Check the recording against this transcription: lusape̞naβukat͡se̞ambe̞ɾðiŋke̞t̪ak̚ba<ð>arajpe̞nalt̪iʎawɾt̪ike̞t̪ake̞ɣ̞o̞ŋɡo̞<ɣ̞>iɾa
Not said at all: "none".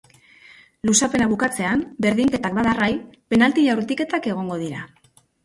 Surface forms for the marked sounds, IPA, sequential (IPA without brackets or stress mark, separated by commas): ð, ð̞